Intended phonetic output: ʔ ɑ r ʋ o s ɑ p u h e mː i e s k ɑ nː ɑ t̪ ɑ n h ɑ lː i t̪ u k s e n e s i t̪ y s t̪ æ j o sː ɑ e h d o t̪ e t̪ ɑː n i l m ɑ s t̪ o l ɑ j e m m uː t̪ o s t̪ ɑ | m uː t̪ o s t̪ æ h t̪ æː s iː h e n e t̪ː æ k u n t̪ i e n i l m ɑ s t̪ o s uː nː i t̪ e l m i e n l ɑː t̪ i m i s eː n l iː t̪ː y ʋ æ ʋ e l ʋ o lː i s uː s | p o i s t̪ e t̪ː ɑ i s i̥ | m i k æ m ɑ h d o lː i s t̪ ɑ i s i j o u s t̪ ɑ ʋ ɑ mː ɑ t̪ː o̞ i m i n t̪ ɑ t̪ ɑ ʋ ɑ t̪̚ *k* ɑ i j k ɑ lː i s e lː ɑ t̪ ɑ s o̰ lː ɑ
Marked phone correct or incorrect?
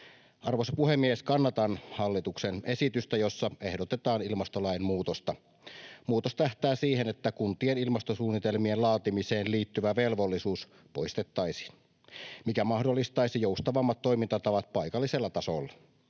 incorrect